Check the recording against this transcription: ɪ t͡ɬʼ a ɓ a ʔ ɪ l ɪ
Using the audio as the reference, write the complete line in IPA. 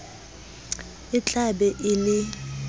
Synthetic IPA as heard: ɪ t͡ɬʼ a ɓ ɛ ʔ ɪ l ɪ